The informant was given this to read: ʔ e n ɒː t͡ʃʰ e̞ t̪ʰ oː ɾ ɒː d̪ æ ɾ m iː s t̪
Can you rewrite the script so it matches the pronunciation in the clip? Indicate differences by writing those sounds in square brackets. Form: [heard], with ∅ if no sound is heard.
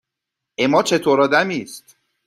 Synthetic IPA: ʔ e [m] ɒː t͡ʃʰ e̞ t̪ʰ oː ɾ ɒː d̪ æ [∅] m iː s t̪